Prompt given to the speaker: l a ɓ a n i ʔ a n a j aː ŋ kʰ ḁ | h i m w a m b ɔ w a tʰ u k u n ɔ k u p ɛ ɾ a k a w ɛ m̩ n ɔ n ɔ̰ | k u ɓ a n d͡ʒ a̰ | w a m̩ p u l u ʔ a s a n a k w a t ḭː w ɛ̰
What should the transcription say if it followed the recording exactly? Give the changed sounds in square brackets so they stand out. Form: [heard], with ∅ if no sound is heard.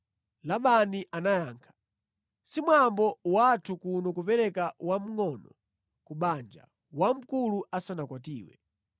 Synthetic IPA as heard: l a ɓ a n i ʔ a n a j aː ŋ kʰ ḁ | [s] i m w a m b ɔ w a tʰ u k u n ɔ k u p ɛ ɾ [ɛ] k a w [a] m̩ [ŋ] ɔ n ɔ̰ | k u ɓ a n d͡ʒ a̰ | w a m̩ [k] u l u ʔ a s a n a k w a t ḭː w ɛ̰

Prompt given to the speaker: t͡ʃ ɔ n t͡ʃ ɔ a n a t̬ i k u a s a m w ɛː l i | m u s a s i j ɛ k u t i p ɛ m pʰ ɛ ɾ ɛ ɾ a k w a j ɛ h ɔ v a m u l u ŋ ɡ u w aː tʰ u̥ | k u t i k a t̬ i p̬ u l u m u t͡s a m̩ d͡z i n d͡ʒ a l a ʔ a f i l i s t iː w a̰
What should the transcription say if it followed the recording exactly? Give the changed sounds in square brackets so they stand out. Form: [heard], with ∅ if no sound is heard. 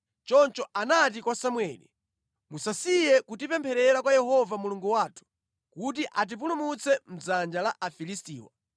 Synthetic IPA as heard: t͡ʃ ɔ n t͡ʃ ɔ a n a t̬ i k [w] a s a m w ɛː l i | m u s a s i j ɛ k u t i p ɛ m pʰ ɛ ɾ ɛ ɾ a k w a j ɛ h ɔ v a m u l u ŋ ɡ u w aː tʰ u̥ | k u t i [ʔ] a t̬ i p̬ u l u m u t͡s [ɛ] m̩ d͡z [a] n d͡ʒ a l a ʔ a f i l i s t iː w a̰

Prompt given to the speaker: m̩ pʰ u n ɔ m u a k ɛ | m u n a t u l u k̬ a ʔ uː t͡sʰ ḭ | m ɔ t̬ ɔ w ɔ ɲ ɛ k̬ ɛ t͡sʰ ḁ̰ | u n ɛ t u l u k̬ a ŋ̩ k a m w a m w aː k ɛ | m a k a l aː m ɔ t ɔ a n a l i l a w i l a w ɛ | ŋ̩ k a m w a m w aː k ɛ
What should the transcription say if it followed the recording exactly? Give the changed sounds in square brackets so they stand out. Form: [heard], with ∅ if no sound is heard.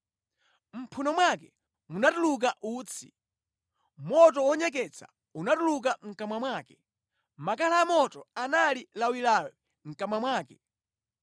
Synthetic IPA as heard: m̩ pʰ u n ɔ m [w] a k ɛ | m u n a t u l u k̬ a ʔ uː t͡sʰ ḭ | m ɔ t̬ ɔ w ɔ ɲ ɛ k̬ ɛ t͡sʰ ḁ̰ | u n [a] t u l u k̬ a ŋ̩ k a m w a m w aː k ɛ | m a k a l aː m ɔ t ɔ a n a l i l a w i l a w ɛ | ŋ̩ k a m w a m w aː k ɛ

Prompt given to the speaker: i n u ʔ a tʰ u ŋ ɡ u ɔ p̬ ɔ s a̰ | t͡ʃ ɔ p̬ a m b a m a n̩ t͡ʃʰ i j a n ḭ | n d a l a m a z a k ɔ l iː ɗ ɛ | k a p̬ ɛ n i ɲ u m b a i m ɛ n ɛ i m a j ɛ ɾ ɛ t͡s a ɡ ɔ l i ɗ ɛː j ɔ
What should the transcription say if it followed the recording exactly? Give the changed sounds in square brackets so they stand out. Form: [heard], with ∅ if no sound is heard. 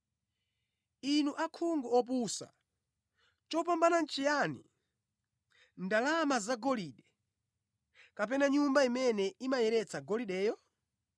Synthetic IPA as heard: i n u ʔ a [kʰ] u ŋ ɡ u ɔ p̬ [u] s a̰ | t͡ʃ ɔ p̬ a m b a [n] a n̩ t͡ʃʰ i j a n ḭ | n d a l a m a z a [ɡ] ɔ l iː ɗ ɛ | k a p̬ ɛ n [a] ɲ u m b a i m ɛ n ɛ i m a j ɛ ɾ ɛ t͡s a ɡ ɔ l i ɗ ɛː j ɔ

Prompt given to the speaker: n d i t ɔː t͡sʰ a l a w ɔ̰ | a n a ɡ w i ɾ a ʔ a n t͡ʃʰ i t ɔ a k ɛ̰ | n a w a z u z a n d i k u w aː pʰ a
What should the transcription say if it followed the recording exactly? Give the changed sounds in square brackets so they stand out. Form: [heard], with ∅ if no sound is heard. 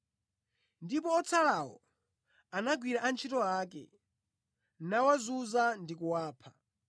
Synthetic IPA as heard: n d i [p] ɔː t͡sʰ a l a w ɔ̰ | a n a ɡ w i ɾ a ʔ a n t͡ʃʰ i t ɔ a k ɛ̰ | n a w a z u z a n d i k u w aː pʰ a

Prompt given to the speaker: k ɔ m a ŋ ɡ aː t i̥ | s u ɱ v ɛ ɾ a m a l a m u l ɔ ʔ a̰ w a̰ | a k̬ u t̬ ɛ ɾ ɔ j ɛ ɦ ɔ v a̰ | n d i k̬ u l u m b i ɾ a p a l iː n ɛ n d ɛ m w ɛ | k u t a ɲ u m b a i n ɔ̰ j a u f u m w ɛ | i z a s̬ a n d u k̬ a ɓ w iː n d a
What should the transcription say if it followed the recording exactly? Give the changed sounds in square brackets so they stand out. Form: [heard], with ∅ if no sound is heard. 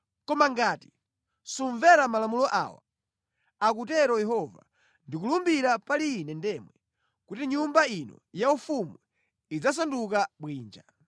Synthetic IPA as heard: k ɔ m a ŋ ɡ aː t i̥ | s u ɱ v ɛ ɾ a m a l a m u l ɔ ʔ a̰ w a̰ | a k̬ u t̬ ɛ ɾ ɔ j ɛ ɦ ɔ v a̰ | n d i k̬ u l u m b i ɾ a p a l iː n ɛ n d ɛ m w ɛ | k u t [i] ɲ u m b a i n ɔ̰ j a u f u m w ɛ | i [d͡z] a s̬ a n d u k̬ a ɓ w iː n [d͡ʒ] a

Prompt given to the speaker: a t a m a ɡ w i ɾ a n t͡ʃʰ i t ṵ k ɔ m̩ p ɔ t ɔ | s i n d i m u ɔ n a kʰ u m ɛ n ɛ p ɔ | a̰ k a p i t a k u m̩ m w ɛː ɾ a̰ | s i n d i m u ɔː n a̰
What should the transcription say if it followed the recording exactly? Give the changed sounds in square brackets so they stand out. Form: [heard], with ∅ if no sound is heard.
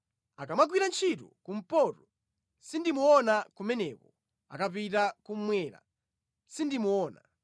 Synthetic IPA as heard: a [k] a m a ɡ w i ɾ a n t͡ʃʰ i t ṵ k [u] m̩ p ɔ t ɔ | s i n d i m u ɔ n a [k] u m ɛ n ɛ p ɔ | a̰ k a p i t a k u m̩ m w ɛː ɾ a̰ | s i n d i m u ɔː n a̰

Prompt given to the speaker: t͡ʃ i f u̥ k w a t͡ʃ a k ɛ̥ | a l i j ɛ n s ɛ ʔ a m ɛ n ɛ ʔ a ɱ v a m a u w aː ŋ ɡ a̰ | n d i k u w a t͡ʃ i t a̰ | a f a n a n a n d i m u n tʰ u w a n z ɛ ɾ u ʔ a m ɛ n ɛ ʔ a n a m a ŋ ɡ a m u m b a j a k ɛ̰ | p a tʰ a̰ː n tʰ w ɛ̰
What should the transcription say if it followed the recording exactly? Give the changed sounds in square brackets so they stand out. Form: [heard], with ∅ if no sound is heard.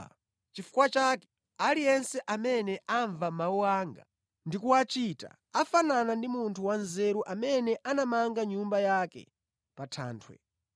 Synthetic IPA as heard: t͡ʃ i f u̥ k w a t͡ʃ a k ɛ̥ | a l i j ɛ n s ɛ ʔ a m ɛ n ɛ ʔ a ɱ v a m a u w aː ŋ ɡ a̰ | n d i k u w a t͡ʃ i t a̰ | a f a n a n a n d i m u n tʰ u w a n z ɛ ɾ u ʔ a m ɛ n ɛ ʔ a n a m a ŋ ɡ a [ɲ] u m b a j a k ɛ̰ | p a tʰ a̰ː n tʰ w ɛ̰

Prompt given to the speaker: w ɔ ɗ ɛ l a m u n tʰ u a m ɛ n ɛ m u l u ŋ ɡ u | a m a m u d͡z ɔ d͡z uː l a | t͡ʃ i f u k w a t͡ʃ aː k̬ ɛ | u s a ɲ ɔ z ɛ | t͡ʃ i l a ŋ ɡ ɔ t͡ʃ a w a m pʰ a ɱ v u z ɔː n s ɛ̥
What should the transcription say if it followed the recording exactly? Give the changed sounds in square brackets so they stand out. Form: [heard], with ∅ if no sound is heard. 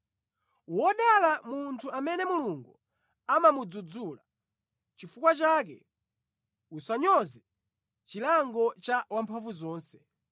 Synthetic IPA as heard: w ɔ ɗ [a] l a m u n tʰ u a m ɛ n ɛ m u l u ŋ ɡ u | a m a m u d͡z [u] d͡z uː l a | t͡ʃ i f u k w a t͡ʃ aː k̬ ɛ | u s a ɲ ɔ z ɛ | t͡ʃ i l a ŋ ɡ ɔ t͡ʃ a w a m pʰ a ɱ v u z ɔː n s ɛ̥

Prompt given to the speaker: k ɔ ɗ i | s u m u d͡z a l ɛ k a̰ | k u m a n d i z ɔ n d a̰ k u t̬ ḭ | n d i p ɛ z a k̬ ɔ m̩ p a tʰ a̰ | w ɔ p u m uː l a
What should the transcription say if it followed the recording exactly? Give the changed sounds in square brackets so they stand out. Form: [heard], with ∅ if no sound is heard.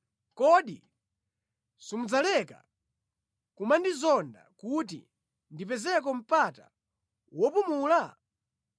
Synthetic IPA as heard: k ɔ ɗ i | s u m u d͡z a l ɛ k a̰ | k u m a n d i z ɔ n d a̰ k u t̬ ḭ | n d i p ɛ z [ɛ] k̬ ɔ m̩ p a [t] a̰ | w ɔ p u m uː l a

